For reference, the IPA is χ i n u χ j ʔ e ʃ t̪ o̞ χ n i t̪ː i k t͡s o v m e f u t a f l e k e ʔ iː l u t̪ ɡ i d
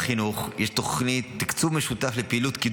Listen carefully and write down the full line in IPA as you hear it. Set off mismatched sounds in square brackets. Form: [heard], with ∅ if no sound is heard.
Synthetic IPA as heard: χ i n u χ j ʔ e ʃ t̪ o̞ χ n i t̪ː i k t͡s [u] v m e [ʃ] u t a f l e [p] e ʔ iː l u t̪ [k] i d